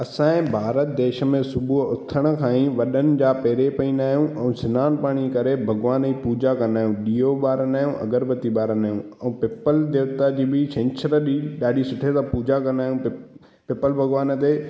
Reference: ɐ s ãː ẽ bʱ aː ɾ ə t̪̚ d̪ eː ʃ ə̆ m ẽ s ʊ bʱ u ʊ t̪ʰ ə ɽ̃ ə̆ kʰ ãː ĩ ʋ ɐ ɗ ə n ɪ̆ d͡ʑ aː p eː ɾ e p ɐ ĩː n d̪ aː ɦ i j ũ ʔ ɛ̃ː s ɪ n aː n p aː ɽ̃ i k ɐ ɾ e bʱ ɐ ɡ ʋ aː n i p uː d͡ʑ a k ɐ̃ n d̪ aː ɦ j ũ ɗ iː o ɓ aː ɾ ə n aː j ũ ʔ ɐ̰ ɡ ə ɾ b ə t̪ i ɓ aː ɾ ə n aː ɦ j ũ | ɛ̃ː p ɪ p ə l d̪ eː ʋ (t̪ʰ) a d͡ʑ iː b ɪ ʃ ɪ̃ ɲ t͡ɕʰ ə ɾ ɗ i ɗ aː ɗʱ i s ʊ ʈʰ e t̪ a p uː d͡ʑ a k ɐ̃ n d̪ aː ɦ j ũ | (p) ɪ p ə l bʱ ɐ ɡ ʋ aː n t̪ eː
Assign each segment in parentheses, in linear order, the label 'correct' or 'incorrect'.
incorrect, correct

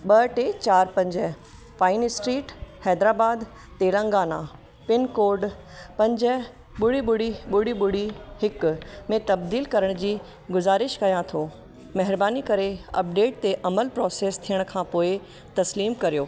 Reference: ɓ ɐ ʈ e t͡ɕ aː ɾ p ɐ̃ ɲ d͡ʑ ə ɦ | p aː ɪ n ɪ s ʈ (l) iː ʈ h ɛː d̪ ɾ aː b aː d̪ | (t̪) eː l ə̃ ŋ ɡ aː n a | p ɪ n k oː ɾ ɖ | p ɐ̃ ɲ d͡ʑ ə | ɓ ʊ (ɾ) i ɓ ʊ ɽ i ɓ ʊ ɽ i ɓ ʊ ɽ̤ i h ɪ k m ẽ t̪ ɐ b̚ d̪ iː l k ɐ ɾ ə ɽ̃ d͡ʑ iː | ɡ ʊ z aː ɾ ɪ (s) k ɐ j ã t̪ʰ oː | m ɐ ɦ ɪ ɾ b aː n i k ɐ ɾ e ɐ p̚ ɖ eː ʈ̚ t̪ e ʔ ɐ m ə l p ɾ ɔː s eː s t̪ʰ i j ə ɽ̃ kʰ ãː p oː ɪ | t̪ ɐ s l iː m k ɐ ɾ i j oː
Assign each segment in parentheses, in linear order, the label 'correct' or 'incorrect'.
incorrect, correct, incorrect, incorrect

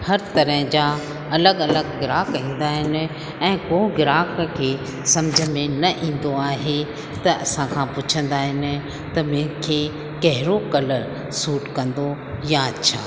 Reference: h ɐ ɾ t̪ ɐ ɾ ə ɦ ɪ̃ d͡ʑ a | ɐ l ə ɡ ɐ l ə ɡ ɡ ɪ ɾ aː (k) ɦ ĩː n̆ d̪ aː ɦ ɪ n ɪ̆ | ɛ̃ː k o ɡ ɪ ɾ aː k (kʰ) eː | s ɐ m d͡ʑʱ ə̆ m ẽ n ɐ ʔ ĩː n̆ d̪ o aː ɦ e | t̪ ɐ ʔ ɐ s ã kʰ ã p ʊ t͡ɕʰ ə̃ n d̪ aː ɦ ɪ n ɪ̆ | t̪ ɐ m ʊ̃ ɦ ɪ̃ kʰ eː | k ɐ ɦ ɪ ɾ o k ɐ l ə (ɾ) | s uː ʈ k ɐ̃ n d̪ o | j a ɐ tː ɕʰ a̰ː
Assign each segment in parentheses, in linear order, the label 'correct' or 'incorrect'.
correct, correct, correct

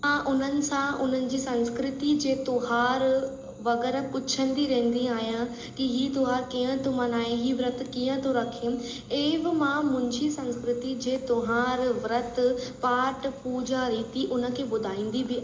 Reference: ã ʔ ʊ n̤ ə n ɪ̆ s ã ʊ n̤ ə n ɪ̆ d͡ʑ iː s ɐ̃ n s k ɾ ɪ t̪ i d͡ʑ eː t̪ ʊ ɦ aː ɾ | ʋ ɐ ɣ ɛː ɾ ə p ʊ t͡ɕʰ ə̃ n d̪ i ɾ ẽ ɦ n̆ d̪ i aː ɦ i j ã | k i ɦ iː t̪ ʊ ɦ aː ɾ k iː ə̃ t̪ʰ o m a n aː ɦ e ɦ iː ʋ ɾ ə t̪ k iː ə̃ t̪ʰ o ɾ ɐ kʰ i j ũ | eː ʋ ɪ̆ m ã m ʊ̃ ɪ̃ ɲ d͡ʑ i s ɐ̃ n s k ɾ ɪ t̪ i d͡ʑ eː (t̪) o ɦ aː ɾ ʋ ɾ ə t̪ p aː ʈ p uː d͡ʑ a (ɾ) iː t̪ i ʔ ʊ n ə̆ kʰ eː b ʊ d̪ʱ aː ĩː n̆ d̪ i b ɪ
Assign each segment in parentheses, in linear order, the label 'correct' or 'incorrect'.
correct, correct

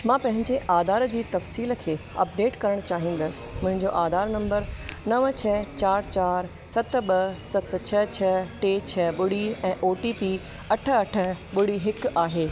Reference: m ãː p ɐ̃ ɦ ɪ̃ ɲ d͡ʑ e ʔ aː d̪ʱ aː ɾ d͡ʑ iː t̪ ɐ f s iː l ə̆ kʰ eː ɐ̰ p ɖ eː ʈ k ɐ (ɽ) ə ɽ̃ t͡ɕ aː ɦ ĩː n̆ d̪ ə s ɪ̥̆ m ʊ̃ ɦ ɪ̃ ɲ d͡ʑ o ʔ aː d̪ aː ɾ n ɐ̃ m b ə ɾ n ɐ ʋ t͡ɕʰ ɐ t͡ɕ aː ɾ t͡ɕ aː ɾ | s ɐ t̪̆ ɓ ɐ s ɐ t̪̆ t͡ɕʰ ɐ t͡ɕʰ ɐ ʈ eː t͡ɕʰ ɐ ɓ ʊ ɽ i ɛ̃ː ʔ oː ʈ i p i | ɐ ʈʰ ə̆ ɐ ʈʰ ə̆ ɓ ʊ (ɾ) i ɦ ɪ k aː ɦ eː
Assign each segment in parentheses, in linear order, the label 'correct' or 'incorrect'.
incorrect, incorrect

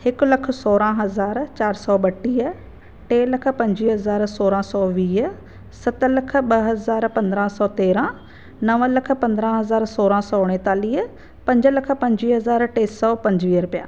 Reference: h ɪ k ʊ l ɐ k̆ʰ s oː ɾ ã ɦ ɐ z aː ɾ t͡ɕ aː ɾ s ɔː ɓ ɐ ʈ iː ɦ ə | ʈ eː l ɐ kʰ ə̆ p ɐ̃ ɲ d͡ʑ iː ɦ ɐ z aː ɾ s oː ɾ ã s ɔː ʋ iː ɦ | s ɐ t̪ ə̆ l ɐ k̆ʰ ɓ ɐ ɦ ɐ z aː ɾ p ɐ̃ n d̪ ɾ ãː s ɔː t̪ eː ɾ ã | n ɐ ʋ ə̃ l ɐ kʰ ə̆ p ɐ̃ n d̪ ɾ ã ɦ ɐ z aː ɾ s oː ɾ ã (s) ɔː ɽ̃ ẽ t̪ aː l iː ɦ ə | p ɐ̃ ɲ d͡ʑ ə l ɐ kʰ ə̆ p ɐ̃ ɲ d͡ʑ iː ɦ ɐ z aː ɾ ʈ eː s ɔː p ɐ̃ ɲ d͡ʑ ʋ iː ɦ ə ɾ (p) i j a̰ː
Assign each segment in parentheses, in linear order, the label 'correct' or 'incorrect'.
correct, correct

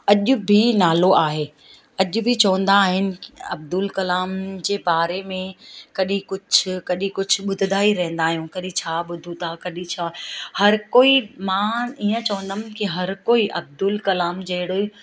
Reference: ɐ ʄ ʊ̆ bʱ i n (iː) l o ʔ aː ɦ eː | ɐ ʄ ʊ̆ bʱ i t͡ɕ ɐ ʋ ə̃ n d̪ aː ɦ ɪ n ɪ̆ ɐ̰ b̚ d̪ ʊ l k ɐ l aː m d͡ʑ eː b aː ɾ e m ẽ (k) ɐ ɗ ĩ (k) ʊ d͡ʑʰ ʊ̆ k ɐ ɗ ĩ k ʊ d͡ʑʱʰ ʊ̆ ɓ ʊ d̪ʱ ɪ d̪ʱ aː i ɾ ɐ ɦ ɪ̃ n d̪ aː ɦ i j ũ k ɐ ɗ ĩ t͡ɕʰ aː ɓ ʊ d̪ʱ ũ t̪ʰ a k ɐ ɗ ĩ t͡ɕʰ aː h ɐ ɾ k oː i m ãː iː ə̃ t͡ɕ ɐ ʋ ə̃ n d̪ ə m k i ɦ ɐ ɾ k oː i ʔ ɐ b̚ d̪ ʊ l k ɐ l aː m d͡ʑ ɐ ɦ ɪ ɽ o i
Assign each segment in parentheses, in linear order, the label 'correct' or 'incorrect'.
incorrect, correct, correct

